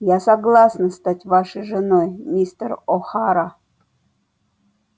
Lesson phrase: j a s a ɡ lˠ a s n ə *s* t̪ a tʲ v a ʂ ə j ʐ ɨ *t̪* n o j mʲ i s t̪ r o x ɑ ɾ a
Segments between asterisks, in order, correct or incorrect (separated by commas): correct, incorrect